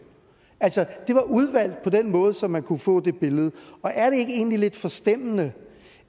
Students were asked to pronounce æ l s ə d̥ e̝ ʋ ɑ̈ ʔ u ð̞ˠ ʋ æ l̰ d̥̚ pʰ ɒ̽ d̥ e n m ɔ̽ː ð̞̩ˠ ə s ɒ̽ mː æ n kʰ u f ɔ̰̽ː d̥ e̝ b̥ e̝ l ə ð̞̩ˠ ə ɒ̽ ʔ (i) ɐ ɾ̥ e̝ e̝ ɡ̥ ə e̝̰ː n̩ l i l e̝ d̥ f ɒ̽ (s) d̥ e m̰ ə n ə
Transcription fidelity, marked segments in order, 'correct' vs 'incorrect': incorrect: æ, correct

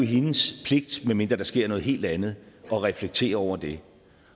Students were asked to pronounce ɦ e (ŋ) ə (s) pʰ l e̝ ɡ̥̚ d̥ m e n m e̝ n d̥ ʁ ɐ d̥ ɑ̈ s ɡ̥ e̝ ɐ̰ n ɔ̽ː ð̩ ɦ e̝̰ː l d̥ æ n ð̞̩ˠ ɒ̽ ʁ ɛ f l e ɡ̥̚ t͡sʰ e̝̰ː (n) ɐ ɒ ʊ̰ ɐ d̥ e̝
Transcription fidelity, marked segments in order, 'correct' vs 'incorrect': incorrect: n, correct, incorrect: none

